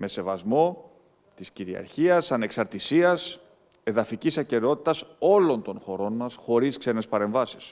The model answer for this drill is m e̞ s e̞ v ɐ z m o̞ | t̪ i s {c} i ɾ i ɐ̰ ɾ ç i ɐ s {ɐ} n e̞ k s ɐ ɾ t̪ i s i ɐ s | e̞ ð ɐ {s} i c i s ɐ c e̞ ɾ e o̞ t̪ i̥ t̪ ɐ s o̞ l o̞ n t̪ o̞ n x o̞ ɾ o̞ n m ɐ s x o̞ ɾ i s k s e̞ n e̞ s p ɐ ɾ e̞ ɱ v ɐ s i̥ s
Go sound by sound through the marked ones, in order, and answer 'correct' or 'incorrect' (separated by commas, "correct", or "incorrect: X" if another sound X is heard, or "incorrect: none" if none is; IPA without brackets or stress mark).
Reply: correct, correct, incorrect: f